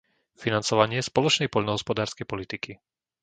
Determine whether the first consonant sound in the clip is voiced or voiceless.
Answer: voiceless